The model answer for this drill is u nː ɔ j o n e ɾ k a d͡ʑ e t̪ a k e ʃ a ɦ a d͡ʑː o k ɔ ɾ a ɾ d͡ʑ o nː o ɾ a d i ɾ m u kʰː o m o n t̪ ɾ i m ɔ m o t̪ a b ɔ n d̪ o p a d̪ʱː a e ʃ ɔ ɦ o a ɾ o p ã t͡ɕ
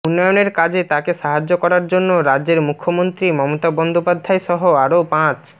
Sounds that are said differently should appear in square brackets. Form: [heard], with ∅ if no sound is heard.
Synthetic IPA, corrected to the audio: u nː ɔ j o n e ɾ k a d͡ʑ e t̪ a k e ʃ a ɦ a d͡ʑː o k ɔ ɾ a ɾ d͡ʑ o nː o ɾ a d [e] ɾ m u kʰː o m o n t̪ ɾ i m ɔ m o t̪ a b ɔ n d̪ o p a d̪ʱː a e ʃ ɔ ɦ o a ɾ o p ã t͡ɕ